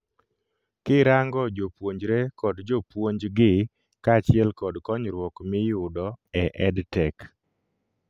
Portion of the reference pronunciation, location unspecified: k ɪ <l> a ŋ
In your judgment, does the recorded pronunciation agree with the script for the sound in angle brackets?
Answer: no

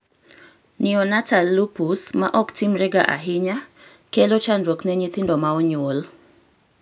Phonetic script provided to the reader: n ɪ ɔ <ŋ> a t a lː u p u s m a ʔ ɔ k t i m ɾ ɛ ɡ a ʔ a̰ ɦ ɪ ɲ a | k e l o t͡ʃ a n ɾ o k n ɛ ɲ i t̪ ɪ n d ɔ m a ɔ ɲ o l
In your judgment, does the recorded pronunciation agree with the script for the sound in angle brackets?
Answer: no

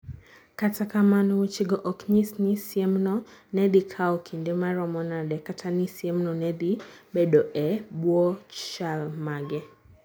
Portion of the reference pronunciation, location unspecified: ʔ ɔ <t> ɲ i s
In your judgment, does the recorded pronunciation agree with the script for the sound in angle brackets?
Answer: no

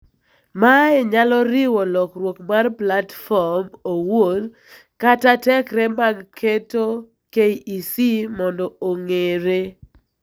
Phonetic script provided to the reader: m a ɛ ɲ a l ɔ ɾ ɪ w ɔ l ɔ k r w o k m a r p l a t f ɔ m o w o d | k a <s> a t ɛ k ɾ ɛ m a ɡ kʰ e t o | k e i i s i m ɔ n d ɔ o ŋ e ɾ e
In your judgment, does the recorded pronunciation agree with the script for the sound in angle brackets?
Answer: no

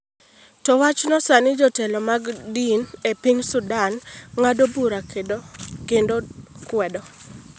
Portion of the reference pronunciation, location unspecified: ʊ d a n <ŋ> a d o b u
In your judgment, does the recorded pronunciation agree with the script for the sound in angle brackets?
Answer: yes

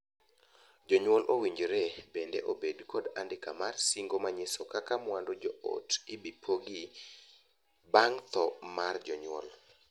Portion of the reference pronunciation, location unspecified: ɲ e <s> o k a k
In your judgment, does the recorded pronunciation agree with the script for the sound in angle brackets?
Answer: yes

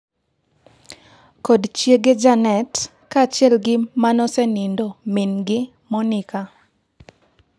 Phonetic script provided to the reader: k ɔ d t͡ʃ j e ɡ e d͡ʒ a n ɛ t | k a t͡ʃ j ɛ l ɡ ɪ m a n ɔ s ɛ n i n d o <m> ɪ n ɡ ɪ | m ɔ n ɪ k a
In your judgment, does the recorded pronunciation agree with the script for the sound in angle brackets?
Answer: yes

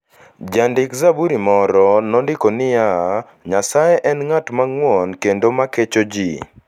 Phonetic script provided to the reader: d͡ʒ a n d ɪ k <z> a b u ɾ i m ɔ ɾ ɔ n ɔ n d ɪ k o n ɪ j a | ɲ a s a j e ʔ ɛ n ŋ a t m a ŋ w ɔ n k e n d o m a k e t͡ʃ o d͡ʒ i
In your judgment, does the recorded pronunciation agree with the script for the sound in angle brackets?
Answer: yes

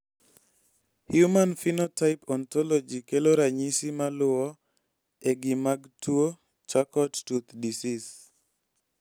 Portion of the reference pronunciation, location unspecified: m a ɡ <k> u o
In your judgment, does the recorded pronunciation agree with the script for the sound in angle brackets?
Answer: no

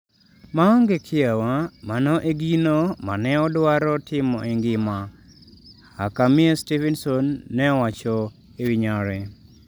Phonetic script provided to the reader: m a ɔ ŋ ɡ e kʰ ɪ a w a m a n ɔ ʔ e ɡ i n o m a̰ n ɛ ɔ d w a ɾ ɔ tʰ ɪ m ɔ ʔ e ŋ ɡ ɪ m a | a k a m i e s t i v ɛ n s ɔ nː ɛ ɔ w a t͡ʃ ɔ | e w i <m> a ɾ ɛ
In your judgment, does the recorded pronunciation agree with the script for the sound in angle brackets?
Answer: no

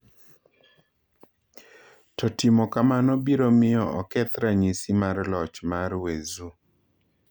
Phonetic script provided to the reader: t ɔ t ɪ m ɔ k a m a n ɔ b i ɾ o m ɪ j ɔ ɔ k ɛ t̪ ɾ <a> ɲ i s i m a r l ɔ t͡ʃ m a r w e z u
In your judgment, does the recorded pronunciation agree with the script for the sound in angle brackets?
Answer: yes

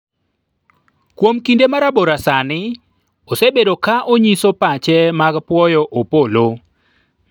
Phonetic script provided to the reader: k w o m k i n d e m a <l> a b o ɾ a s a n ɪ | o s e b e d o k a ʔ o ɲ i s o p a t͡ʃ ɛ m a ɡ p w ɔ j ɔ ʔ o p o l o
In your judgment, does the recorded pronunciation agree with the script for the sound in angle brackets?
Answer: no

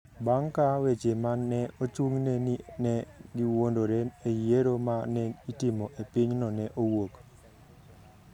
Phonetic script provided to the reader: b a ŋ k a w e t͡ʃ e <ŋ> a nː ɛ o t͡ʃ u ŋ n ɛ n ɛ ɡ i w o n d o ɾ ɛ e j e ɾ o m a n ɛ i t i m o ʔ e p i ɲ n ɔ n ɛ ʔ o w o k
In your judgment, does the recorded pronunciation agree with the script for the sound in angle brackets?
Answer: no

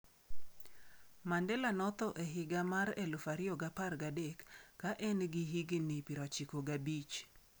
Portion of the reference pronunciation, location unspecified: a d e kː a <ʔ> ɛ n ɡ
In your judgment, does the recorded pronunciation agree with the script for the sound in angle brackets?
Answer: yes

